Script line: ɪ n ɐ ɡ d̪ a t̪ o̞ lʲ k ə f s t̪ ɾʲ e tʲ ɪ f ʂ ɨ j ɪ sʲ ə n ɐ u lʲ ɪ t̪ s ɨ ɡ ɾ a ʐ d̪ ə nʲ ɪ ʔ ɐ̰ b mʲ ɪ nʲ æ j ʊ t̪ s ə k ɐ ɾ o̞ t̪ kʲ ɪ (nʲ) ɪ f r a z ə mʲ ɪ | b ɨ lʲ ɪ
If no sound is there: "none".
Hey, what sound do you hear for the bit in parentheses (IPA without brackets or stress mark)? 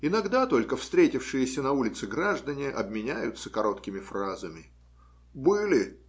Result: mʲ